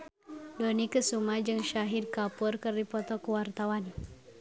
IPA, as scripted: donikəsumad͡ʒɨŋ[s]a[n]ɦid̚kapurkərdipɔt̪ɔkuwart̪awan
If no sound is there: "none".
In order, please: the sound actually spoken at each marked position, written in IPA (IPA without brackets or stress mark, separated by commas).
ʃ, none